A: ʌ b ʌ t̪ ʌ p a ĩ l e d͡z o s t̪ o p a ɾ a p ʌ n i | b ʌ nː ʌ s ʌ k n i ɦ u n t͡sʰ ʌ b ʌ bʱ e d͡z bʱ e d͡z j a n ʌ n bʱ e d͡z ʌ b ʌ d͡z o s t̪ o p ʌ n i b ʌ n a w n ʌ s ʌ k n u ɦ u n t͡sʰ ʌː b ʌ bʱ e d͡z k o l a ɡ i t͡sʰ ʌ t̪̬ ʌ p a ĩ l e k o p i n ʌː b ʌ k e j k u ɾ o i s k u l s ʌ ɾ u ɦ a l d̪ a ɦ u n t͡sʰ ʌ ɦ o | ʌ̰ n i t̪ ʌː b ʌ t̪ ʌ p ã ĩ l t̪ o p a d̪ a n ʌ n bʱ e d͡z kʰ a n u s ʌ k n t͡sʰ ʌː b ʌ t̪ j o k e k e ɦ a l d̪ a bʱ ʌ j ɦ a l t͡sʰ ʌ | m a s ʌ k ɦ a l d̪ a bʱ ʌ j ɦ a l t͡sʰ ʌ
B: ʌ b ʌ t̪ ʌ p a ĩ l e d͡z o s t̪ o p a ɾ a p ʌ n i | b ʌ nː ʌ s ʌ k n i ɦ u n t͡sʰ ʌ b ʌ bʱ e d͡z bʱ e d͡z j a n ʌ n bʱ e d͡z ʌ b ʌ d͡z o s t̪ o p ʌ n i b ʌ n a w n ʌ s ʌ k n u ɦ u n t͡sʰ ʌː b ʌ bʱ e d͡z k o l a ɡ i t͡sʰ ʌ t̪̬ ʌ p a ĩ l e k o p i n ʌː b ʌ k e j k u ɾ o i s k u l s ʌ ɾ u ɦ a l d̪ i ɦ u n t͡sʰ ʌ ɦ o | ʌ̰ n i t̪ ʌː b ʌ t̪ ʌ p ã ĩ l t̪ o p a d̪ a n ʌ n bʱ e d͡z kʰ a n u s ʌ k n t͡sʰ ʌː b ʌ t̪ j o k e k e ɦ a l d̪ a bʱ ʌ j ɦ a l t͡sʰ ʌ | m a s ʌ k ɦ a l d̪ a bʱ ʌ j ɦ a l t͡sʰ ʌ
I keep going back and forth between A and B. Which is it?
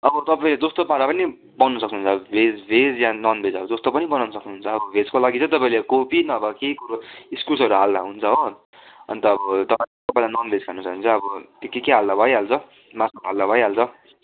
A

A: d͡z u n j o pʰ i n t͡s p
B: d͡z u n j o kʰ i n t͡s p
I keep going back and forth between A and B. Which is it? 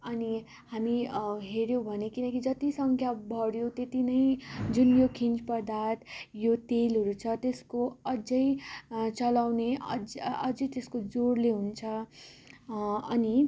B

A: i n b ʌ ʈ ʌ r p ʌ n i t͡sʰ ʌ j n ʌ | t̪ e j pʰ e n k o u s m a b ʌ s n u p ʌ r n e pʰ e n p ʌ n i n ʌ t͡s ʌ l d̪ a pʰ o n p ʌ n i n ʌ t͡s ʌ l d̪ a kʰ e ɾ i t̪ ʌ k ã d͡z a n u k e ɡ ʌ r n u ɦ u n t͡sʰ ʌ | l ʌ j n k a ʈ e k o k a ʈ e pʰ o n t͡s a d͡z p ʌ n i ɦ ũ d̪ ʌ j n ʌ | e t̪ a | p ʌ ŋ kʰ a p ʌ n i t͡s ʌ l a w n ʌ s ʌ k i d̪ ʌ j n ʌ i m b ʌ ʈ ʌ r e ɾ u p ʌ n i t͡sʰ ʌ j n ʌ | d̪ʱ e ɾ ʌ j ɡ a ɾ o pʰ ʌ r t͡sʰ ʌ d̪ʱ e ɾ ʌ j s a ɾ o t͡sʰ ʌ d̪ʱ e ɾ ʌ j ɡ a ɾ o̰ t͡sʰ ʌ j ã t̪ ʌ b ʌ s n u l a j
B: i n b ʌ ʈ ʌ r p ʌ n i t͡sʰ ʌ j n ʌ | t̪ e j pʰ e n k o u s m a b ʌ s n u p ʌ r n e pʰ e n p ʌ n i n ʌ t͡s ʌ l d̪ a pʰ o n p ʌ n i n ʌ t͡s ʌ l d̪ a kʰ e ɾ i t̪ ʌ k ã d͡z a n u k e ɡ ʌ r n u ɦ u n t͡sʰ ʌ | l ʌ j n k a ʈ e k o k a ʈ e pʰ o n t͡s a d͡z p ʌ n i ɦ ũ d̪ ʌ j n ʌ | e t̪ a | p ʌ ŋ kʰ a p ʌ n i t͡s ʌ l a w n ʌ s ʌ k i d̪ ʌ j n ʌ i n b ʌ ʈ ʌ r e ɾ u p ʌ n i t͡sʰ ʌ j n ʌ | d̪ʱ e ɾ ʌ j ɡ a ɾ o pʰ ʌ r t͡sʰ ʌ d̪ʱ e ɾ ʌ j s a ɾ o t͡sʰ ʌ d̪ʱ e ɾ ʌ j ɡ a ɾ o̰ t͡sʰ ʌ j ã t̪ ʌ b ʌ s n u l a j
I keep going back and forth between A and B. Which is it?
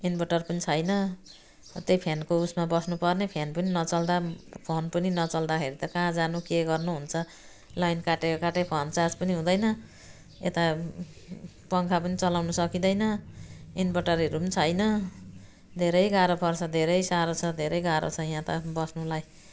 B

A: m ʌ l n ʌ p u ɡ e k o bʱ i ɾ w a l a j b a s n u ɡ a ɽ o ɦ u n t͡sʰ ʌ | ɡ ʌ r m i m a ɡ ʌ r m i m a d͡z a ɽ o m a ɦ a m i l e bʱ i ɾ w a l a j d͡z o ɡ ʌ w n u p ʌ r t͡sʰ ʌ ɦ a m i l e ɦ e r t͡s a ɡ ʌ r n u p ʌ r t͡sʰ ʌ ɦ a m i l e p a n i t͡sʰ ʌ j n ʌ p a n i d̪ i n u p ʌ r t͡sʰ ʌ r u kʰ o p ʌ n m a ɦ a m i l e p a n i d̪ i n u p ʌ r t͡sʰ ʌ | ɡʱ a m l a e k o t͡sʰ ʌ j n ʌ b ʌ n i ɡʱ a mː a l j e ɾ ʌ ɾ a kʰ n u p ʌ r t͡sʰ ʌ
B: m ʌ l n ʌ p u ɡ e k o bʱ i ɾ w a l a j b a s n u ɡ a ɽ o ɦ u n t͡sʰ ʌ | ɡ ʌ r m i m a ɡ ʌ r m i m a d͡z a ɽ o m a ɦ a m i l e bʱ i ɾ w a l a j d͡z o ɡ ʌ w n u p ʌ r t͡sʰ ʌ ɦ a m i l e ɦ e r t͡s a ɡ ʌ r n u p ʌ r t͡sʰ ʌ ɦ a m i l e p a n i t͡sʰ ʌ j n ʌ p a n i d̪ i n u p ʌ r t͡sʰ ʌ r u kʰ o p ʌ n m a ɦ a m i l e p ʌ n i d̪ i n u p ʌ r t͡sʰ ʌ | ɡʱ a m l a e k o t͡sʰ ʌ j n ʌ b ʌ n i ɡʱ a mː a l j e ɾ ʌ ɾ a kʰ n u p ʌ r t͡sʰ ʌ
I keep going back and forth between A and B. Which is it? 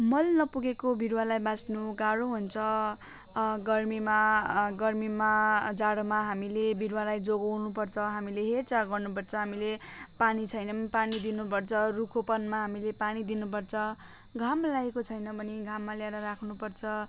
A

